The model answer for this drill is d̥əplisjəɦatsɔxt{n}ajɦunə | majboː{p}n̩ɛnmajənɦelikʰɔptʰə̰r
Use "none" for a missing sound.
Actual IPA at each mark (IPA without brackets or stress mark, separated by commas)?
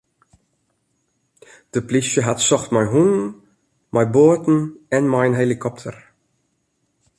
m, t